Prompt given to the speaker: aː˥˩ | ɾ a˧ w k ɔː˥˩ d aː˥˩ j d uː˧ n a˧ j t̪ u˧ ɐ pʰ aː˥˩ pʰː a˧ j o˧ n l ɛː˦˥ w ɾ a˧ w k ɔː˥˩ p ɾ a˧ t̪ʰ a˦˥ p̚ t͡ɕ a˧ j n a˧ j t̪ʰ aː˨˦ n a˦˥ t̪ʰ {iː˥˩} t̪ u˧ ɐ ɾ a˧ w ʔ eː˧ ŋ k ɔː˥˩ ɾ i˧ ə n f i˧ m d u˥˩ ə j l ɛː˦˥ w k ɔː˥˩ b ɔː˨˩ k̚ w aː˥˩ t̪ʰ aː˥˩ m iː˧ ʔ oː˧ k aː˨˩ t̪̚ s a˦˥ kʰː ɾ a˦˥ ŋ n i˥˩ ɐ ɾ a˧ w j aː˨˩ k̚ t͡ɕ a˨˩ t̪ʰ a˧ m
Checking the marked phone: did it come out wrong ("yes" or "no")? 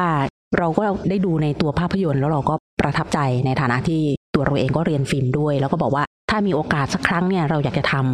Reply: no